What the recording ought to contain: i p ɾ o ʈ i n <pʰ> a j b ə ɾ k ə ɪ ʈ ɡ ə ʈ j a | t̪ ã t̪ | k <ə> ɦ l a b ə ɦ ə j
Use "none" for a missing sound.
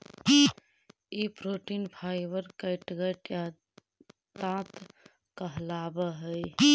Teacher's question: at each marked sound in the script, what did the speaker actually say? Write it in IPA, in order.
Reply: pʰ, ə

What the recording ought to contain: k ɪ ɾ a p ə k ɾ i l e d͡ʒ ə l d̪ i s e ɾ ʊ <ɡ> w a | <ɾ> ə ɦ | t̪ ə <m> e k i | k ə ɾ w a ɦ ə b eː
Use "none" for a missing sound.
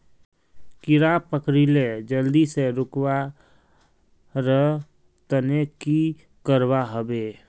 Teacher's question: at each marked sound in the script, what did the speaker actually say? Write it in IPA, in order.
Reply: k, ɾ, n

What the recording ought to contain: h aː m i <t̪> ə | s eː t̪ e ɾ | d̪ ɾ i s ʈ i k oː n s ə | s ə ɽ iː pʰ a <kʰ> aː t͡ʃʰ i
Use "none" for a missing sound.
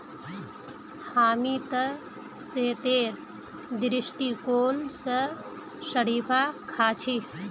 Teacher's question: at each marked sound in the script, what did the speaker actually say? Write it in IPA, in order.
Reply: t̪, kʰ

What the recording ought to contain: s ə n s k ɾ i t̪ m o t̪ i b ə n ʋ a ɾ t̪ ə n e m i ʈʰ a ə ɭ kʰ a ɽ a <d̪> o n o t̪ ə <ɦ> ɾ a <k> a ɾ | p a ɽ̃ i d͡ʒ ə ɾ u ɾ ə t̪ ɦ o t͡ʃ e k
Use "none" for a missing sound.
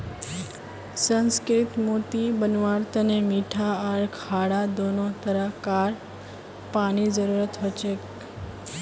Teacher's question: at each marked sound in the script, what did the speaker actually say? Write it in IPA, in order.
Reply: d̪, none, k

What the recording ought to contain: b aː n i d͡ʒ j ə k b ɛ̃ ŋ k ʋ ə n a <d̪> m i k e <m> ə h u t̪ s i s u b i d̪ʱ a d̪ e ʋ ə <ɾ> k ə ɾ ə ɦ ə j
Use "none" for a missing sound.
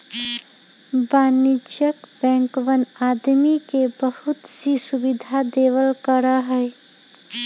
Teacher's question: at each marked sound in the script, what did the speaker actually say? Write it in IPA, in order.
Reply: d̪, b, l

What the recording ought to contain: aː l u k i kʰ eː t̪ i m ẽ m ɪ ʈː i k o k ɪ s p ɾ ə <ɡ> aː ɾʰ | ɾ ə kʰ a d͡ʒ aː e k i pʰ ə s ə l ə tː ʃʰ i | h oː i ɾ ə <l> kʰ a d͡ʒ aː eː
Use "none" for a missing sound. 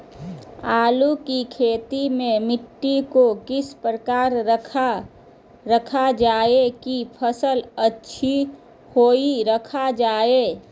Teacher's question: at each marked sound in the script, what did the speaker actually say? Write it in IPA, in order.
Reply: k, none

